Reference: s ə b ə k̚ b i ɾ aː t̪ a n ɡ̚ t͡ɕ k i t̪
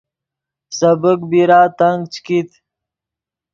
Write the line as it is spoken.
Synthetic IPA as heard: s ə b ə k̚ b i ɾ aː t̪ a ŋ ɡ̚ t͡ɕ k i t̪